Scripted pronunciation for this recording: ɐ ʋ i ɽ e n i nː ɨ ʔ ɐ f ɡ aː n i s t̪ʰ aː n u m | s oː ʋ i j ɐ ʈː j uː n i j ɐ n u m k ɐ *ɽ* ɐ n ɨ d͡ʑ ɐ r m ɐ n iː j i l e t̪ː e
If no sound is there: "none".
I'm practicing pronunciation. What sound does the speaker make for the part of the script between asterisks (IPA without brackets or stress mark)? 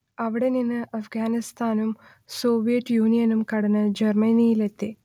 ɽ